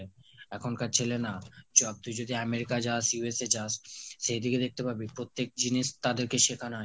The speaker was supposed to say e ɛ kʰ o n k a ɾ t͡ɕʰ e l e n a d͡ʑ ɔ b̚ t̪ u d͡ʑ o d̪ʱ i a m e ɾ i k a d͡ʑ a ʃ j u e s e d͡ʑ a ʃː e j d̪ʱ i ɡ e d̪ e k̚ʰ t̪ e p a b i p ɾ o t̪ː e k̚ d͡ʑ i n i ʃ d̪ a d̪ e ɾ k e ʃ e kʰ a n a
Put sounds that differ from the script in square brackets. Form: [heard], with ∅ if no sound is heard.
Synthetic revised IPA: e ɛ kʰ o n k a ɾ t͡ɕʰ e l e n a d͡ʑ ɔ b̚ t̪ u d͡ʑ o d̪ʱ i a m e ɾ i k a d͡ʑ a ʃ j u e s e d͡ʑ a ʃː e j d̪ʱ i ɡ e d̪ e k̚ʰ t̪ e p a b i p ɾ o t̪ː e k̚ d͡ʑ i n i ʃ [t̪] a d̪ e ɾ k e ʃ e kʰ a n a